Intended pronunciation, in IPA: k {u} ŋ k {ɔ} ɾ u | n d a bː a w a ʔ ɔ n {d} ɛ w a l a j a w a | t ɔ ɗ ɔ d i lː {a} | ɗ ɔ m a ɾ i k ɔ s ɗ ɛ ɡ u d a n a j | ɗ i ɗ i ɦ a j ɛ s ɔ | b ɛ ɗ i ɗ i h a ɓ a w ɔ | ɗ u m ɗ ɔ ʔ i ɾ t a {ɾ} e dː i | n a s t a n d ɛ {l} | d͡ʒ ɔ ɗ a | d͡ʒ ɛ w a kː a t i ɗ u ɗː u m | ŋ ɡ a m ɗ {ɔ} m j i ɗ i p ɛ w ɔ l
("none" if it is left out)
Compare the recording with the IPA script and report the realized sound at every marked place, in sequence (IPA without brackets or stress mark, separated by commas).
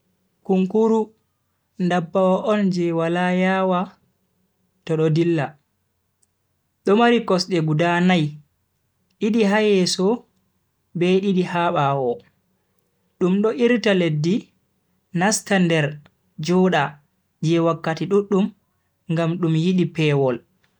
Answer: u, u, d͡ʒ, a, l, ɾ, u